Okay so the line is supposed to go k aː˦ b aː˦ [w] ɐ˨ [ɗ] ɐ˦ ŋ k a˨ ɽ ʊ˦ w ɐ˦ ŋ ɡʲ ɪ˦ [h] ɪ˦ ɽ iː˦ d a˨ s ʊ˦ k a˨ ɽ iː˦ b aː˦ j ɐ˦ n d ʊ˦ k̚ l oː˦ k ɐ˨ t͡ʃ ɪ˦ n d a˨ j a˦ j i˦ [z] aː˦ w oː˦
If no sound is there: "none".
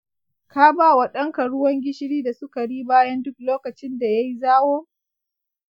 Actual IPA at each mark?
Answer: w, ɗ, ʃ, z

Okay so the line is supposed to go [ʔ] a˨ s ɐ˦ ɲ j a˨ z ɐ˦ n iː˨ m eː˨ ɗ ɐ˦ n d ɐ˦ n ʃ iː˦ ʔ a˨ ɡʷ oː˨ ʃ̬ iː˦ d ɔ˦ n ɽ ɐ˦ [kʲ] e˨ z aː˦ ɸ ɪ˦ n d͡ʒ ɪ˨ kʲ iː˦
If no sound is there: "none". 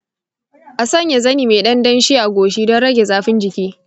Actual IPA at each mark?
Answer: ʔ, ɡʲ

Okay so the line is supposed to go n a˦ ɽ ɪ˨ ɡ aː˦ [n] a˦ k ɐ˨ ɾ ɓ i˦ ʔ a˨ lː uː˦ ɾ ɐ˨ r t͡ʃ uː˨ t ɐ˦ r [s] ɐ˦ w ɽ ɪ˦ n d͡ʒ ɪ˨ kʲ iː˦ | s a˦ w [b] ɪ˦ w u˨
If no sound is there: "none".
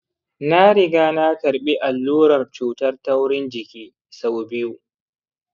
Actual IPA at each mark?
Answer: n, t, b

